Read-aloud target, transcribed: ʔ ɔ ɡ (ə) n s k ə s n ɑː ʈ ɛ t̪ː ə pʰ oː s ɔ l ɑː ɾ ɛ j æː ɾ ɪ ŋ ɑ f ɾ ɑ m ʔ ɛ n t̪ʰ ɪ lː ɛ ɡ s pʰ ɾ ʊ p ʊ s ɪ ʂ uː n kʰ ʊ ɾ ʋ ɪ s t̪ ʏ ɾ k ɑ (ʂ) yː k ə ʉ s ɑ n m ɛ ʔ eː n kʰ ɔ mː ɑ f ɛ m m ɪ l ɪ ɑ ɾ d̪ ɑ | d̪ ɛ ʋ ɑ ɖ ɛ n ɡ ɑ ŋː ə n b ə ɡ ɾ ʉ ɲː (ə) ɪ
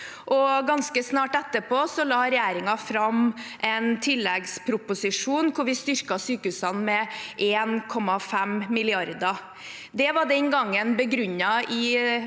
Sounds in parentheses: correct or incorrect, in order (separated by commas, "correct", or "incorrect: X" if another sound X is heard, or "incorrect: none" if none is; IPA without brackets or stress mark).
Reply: incorrect: ɑ, incorrect: s, incorrect: ɑ